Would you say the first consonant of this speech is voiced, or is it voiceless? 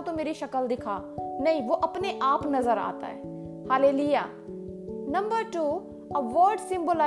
voiceless